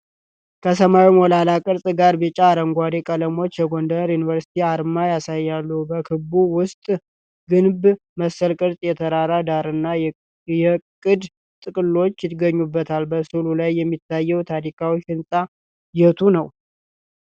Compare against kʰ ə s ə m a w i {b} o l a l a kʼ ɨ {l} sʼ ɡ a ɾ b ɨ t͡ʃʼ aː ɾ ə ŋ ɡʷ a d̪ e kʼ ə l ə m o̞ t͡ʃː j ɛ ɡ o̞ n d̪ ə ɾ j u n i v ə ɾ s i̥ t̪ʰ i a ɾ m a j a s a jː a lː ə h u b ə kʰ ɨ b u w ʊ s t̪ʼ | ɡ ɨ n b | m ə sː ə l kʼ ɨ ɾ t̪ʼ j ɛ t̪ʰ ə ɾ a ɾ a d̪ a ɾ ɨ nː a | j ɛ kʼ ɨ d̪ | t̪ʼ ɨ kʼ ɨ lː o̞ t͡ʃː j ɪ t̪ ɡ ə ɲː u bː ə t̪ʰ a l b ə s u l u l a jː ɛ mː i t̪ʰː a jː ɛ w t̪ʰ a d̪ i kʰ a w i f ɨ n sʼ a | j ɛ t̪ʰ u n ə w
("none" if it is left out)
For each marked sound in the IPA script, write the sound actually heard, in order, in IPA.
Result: m, ɾ

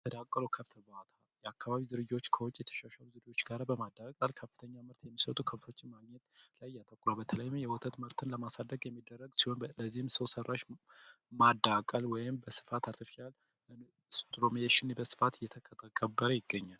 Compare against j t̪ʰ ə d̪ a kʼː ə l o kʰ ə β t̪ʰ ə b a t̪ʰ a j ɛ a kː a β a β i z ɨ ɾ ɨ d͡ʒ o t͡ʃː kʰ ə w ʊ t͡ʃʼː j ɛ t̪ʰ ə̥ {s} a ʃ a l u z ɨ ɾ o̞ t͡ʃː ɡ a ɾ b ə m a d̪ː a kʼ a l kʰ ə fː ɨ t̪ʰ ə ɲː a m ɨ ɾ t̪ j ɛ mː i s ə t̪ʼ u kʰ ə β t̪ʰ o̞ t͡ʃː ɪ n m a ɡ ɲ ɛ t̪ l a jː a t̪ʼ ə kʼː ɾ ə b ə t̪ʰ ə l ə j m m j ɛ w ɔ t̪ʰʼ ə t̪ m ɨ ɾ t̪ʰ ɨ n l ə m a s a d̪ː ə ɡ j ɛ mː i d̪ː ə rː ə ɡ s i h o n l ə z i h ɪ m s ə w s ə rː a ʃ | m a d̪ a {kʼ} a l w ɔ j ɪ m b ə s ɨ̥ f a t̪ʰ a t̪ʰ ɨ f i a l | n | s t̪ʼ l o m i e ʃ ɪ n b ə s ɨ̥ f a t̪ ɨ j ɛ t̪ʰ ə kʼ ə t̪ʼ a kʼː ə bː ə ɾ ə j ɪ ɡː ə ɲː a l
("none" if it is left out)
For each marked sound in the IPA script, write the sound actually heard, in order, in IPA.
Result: ʃ, kʼ

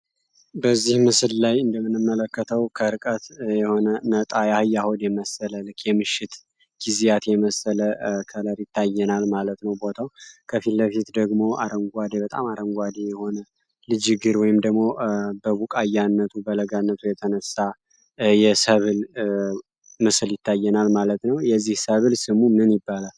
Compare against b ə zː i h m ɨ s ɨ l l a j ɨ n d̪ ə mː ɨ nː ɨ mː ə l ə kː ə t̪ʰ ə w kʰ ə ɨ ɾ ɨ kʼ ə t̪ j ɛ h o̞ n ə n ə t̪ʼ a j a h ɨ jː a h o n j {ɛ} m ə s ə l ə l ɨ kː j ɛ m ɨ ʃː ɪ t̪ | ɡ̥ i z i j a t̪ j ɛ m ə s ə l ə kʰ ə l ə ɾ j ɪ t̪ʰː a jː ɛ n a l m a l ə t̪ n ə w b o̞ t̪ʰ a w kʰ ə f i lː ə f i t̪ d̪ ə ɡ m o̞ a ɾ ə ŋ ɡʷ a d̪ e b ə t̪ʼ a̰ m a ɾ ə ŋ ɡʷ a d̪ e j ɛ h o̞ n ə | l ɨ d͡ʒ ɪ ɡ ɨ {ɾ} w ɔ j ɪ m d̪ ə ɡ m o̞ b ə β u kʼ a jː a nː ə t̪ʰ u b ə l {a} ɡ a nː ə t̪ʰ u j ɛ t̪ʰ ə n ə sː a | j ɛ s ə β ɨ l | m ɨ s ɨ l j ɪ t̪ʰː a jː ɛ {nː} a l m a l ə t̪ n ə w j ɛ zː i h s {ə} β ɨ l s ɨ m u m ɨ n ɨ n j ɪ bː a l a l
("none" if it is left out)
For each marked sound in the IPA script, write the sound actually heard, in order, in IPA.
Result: ɛ, ɾ, ə, n, ə

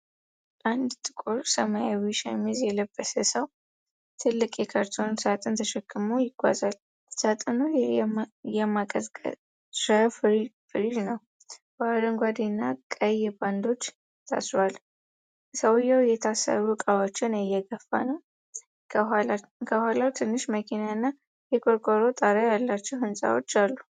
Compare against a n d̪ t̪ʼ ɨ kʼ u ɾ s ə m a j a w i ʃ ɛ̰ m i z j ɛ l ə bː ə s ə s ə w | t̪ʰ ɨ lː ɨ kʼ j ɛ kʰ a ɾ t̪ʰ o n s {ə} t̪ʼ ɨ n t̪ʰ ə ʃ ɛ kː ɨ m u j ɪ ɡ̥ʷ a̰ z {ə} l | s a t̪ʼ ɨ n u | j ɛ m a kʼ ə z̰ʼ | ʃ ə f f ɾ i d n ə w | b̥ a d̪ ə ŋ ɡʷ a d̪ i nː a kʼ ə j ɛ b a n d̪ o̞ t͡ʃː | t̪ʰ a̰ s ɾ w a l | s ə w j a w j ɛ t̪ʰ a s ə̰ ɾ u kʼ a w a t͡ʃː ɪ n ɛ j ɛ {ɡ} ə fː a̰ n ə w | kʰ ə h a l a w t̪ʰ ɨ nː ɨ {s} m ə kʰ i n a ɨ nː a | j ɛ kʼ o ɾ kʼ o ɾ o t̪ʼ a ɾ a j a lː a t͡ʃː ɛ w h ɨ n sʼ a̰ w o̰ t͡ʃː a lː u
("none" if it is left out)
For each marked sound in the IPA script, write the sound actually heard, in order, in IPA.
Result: a, a, ɡ, ʃ

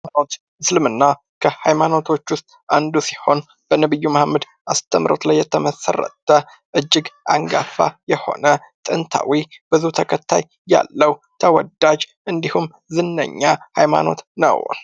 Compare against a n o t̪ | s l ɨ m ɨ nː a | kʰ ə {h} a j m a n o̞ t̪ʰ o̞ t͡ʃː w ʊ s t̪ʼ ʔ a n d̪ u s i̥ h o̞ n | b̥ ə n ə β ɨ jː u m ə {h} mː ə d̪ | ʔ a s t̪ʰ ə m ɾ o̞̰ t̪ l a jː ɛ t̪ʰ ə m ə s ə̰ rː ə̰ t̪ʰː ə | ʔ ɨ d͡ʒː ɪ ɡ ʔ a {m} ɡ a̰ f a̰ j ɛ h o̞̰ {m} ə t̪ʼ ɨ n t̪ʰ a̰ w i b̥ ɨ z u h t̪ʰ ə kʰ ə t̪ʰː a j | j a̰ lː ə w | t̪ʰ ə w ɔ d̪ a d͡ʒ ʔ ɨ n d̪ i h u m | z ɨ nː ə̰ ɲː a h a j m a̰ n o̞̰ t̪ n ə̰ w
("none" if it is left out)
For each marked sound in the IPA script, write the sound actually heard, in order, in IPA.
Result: h, h, ŋ, n

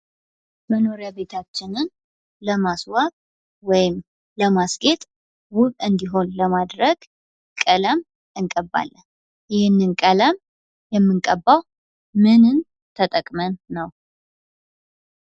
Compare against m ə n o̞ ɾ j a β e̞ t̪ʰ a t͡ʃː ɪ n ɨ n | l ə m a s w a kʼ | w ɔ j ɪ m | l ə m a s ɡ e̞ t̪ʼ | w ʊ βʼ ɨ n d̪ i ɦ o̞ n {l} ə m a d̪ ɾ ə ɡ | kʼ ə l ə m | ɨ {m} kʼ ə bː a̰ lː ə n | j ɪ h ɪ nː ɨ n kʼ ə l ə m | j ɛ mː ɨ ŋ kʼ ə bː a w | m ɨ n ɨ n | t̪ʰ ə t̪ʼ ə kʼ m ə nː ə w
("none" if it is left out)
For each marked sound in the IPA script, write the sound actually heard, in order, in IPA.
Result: l, ŋ

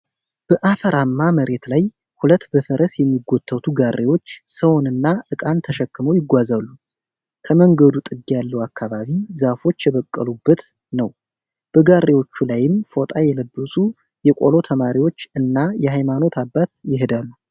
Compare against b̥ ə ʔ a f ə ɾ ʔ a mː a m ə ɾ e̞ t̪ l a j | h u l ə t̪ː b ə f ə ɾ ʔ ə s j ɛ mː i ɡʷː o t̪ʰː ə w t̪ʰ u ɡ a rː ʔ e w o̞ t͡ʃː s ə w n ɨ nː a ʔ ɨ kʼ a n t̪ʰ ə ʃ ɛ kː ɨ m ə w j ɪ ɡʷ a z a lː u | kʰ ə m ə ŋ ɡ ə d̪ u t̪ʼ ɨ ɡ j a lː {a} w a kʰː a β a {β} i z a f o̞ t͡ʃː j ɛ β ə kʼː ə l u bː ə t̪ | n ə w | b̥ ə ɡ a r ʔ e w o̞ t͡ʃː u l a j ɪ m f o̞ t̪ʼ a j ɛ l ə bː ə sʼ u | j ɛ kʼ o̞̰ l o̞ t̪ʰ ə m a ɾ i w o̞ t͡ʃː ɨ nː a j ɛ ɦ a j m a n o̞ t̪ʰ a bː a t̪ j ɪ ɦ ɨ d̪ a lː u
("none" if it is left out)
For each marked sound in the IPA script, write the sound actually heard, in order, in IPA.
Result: ə, β

